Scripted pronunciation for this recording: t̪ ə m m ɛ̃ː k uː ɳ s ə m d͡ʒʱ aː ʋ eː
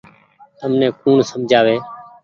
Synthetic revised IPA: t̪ ə m n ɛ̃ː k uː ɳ s ə m d͡ʒʱ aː ʋ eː